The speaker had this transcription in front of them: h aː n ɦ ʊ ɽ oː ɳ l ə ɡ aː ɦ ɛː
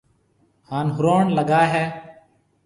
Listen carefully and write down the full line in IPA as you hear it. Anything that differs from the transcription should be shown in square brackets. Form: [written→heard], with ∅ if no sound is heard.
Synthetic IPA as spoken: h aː n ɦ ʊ [ɽ→ɾ] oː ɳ l ə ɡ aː ɦ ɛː